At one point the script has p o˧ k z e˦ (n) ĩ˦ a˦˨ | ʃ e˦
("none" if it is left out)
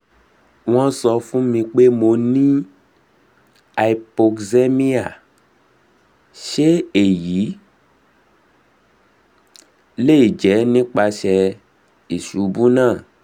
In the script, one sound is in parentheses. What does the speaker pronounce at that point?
m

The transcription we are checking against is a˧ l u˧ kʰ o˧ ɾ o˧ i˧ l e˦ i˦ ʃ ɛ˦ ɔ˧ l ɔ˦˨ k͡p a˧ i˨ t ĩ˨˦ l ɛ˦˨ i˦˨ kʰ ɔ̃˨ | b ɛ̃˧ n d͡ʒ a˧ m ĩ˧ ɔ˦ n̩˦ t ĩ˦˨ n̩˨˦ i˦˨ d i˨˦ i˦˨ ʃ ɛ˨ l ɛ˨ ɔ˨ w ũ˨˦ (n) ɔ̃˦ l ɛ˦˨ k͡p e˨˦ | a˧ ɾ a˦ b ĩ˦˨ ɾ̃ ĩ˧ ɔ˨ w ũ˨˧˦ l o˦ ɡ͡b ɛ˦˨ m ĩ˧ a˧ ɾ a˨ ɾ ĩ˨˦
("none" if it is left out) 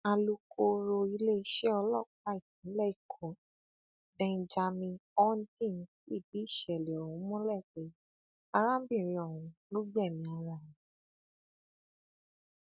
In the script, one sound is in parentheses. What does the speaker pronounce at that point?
m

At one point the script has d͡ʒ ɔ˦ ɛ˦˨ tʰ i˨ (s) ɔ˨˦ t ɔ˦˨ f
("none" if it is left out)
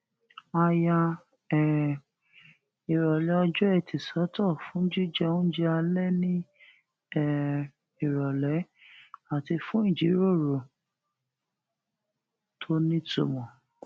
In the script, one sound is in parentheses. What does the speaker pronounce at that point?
s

